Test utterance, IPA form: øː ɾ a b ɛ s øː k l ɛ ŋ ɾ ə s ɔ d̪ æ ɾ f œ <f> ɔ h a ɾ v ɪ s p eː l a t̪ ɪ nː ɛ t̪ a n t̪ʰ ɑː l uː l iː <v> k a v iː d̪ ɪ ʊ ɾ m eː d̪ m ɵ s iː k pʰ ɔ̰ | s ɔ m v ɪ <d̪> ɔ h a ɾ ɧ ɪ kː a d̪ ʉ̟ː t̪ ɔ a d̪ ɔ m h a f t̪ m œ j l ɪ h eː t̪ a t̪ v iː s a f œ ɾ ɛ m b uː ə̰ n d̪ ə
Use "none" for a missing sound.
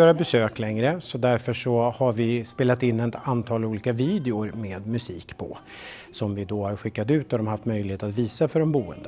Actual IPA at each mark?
ʂ, none, d̪

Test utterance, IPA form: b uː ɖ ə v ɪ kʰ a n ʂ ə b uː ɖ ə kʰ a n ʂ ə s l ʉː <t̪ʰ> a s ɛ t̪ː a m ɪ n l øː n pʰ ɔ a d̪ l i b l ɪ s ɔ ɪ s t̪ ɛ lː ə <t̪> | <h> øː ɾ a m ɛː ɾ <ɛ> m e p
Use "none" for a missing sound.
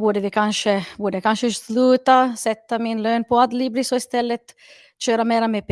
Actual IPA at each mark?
t̪, t̪, ɕ, a

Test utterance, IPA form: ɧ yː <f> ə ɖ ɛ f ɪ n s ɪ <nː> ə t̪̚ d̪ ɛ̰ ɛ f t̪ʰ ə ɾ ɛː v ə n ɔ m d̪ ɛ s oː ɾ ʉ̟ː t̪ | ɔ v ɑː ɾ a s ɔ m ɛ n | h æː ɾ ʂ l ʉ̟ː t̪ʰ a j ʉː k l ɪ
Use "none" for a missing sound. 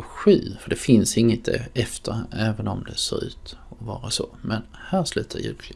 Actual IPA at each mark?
f, ŋː

